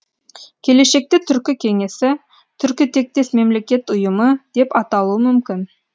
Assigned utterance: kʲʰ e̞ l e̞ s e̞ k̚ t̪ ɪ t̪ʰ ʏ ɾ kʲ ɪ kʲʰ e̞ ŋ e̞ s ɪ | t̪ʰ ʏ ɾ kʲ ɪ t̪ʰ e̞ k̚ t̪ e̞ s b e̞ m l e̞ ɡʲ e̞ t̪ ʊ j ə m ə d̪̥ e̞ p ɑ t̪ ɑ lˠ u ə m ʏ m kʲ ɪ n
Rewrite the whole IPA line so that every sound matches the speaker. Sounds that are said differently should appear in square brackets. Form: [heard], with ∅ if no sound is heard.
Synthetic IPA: kʲʰ e̞ l e̞ [ʃ] e̞ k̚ t̪ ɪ t̪ʰ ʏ ɾ kʲ ɪ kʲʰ e̞ ŋ e̞ s ɪ | t̪ʰ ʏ ɾ kʲ ɪ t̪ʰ e̞ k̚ t̪ e̞ s [m] e̞ m l e̞ [kʲ] e̞ t̪ ʊ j ə m ə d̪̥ e̞ p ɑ t̪ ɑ lˠ u ə m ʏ m kʲ ɪ n